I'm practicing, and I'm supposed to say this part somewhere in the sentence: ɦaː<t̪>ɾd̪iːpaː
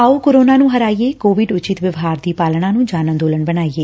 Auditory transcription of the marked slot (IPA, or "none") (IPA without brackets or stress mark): none